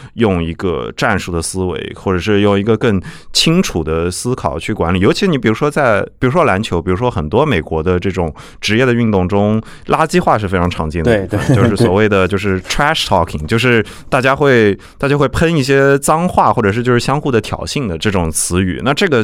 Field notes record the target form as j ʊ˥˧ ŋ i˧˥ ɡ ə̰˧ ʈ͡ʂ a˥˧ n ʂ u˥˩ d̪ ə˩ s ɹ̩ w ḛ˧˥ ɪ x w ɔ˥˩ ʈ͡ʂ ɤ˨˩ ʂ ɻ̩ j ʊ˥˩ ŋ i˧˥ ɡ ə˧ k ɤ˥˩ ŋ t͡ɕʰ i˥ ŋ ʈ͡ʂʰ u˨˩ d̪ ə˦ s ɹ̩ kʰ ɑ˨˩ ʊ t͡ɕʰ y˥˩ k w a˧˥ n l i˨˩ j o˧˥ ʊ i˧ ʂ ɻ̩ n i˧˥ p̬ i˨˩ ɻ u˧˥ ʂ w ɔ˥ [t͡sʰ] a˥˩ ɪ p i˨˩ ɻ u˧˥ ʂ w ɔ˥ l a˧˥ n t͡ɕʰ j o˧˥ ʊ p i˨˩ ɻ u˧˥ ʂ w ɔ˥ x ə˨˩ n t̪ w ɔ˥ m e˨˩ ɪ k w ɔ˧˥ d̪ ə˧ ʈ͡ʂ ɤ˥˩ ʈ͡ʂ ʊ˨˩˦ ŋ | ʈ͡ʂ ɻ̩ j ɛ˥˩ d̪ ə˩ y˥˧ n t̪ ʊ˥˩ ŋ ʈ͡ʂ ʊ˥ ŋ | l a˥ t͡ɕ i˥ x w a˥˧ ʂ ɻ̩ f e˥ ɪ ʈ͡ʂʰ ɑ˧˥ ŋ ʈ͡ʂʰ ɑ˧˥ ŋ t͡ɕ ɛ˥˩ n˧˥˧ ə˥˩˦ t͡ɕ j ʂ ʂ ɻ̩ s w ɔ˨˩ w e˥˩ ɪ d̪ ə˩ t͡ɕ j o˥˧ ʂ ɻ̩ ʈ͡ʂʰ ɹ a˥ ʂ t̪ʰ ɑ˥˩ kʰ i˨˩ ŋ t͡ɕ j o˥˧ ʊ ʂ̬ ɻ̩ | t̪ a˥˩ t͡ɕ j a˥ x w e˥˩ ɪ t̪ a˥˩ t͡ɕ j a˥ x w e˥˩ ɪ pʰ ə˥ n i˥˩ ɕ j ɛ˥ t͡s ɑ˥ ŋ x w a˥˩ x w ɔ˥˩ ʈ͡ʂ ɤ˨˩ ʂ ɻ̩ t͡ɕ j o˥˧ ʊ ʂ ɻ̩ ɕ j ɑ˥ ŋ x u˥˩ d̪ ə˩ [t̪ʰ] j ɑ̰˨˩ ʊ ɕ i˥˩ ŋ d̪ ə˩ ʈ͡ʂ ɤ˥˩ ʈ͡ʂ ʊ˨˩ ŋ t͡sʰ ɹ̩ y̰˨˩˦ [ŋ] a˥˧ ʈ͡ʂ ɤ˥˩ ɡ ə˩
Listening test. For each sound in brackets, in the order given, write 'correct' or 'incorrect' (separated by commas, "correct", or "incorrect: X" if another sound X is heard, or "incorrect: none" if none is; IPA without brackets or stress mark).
incorrect: t͡s, correct, incorrect: n